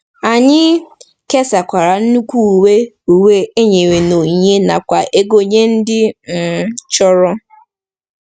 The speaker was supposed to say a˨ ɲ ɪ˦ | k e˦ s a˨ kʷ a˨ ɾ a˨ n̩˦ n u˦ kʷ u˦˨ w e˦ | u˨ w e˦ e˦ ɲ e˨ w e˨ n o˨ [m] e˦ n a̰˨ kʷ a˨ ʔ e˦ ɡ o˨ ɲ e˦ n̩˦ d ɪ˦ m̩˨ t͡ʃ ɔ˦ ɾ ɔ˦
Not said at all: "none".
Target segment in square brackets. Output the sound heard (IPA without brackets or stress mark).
ɲ